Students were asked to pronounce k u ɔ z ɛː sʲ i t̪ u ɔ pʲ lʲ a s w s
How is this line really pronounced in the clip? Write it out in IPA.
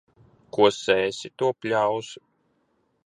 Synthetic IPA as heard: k u ɔ s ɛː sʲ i t̪ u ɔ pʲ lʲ a w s